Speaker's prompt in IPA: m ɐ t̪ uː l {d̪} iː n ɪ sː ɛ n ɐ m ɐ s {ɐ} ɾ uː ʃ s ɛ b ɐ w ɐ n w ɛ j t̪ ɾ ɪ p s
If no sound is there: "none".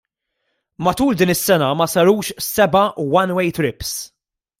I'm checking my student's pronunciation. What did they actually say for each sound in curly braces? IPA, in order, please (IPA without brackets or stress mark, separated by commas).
d̪, ɐ